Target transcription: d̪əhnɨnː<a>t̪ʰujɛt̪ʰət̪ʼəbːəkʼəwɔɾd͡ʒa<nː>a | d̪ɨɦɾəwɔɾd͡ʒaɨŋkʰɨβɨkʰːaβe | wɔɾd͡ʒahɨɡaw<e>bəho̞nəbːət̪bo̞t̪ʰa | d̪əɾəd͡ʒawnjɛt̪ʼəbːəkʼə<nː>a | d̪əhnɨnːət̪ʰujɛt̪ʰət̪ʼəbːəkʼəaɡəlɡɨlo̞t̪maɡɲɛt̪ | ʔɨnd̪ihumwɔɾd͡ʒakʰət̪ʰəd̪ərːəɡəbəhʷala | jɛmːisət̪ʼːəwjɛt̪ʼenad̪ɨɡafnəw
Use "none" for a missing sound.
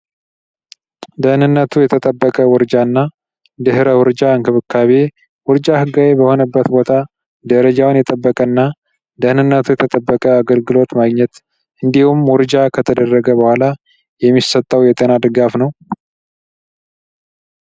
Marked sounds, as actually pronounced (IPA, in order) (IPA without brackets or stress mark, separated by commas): ə, nː, e, nː